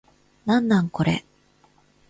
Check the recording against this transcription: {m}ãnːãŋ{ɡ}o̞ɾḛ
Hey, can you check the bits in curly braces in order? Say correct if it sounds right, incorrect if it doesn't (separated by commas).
incorrect, incorrect